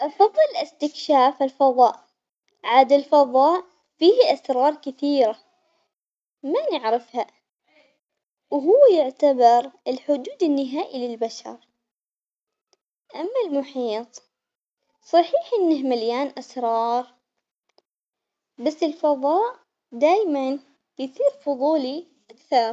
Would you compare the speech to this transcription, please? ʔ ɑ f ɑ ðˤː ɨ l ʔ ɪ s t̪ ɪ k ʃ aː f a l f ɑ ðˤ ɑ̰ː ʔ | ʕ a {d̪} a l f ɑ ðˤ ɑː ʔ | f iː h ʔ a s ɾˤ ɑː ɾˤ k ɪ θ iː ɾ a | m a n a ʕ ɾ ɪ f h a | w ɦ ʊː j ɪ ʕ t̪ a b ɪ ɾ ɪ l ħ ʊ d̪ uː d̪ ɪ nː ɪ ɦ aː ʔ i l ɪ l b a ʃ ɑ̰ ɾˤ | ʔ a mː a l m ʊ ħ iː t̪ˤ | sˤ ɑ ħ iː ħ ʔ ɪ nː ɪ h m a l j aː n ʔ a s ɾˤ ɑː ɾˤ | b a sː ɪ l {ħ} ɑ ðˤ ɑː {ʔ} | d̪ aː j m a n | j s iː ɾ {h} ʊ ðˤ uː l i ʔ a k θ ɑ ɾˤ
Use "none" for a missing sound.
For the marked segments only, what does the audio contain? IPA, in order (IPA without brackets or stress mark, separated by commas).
d̪, f, ʔ, f